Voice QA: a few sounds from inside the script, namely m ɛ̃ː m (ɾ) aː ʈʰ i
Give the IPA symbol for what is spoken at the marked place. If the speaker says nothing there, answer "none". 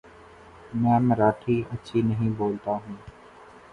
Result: ɾ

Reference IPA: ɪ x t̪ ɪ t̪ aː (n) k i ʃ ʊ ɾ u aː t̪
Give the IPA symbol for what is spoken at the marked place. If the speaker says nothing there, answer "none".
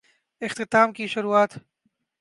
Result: m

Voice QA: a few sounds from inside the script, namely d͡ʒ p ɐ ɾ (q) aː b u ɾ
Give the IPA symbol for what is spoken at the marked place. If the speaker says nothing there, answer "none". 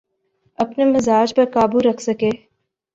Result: k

